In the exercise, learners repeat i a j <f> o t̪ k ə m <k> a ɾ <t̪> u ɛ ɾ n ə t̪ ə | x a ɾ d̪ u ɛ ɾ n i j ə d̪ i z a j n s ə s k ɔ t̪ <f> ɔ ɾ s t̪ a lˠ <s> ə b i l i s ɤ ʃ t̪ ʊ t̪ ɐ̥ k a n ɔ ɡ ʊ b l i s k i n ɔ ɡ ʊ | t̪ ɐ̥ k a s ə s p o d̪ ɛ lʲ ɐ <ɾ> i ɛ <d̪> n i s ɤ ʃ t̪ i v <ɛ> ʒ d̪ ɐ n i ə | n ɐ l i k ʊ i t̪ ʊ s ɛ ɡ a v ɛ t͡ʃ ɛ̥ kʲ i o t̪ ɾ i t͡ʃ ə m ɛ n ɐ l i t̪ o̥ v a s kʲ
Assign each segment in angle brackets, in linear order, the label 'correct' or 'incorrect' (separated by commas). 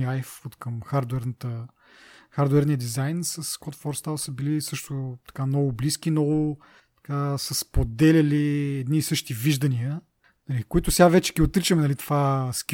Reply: correct, incorrect, incorrect, correct, correct, incorrect, correct, incorrect